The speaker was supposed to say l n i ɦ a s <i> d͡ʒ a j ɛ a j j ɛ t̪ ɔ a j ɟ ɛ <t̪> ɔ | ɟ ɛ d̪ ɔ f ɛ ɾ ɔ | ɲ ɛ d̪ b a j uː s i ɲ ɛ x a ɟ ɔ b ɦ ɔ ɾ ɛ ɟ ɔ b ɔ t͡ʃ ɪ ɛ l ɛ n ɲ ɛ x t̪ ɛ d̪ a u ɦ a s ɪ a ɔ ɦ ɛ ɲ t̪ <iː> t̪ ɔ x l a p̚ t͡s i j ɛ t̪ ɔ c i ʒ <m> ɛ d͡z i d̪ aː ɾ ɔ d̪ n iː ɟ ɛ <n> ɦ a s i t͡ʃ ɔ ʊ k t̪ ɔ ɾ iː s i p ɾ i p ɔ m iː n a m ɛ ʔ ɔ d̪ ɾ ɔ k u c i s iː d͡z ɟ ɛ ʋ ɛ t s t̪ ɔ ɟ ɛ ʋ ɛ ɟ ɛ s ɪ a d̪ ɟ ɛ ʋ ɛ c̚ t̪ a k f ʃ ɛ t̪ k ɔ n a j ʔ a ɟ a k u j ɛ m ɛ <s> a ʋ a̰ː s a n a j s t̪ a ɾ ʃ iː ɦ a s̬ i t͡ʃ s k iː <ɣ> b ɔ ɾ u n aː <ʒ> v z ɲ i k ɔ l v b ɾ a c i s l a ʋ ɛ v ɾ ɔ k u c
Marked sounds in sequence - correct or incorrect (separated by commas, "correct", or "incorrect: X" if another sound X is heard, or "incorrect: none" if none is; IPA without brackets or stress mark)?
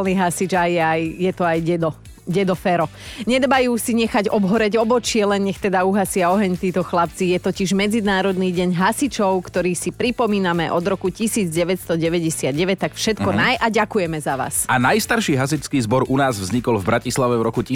correct, incorrect: d̪, correct, correct, incorrect: ɲ, incorrect: z, incorrect: z, incorrect: z